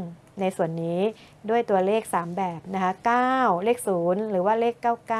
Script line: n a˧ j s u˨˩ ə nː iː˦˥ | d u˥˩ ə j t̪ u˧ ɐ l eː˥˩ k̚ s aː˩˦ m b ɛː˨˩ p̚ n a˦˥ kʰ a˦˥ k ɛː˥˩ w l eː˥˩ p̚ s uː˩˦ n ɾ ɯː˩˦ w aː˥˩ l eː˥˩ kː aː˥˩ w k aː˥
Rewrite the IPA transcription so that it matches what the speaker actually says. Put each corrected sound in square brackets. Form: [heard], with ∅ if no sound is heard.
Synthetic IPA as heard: n a˧ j s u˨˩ ə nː iː˦˥ | d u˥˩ ə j t̪ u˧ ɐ l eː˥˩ k̚ s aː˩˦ m b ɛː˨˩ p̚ n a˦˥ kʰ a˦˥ k [aː˥˩] w l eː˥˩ [k̚] s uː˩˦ n ɾ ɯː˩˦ w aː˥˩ l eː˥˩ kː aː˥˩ w k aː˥